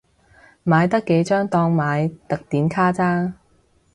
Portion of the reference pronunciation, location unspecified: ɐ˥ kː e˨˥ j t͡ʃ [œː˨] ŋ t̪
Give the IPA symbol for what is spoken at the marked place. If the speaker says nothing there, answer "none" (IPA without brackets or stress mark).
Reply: œː˥